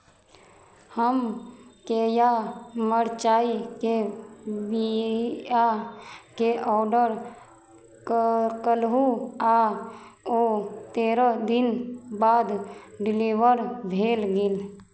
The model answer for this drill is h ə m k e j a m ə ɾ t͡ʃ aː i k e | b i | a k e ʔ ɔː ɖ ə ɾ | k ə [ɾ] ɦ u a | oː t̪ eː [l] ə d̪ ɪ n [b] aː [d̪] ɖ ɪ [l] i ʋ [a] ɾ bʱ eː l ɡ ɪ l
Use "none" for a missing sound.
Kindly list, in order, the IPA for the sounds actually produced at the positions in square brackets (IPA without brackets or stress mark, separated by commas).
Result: l, ɾ, b, d̪, l, ə